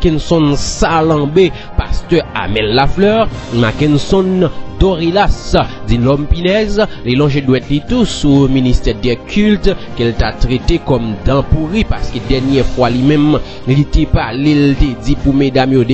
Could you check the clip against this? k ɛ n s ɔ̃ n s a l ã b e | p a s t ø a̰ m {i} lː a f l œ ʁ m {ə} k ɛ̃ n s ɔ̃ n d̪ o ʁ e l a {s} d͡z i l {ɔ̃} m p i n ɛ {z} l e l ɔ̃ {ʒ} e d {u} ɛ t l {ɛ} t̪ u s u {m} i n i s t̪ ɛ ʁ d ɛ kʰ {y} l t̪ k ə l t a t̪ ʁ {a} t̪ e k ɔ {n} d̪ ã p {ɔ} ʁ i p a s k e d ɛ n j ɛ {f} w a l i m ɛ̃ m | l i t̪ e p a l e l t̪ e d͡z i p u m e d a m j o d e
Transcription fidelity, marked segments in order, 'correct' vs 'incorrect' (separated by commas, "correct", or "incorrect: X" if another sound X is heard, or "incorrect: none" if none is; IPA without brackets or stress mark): incorrect: ɛ, incorrect: a, correct, incorrect: ɔ, correct, correct, incorrect: w, incorrect: i, correct, correct, incorrect: e, incorrect: m, incorrect: u, correct